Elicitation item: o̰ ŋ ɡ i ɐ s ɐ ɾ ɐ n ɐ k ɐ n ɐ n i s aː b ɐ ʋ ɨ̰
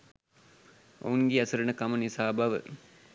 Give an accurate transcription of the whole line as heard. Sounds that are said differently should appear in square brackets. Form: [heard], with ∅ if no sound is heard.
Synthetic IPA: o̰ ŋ ɡ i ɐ s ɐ ɾ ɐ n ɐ k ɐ [m] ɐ n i s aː b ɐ ʋ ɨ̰